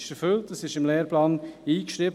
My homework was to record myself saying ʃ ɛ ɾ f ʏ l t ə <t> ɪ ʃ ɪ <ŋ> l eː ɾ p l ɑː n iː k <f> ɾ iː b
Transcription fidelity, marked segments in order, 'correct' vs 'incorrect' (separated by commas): incorrect, incorrect, incorrect